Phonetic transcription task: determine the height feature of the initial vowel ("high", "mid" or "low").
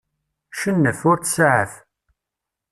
mid